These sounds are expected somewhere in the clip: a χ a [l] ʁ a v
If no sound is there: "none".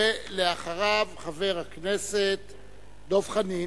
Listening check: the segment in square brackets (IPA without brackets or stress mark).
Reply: none